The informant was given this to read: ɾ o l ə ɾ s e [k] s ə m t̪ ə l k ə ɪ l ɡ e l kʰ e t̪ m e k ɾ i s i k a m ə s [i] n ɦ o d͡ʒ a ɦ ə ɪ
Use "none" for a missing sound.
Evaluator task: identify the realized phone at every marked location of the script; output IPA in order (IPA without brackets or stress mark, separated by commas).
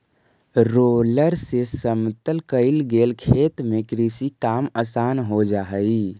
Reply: none, a